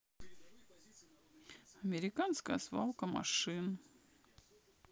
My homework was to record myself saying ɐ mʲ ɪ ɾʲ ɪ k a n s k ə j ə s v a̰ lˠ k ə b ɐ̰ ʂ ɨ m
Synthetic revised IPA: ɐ mʲ ɪ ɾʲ ɪ k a n s k ə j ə s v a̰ lˠ k ə m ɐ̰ ʂ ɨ n